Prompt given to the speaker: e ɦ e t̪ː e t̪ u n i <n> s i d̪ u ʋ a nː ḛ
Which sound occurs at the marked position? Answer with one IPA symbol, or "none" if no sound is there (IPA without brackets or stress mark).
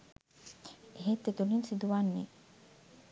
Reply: n